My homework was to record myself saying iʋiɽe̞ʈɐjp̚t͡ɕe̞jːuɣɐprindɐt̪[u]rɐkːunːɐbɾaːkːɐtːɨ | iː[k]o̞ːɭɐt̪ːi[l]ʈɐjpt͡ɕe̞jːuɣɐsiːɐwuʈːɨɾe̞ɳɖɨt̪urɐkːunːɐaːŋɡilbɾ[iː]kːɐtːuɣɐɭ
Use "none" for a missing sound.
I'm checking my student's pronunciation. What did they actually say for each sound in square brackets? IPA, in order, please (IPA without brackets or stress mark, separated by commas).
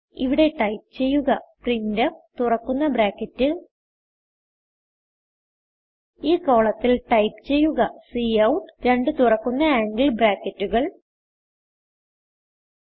u, k, l, aː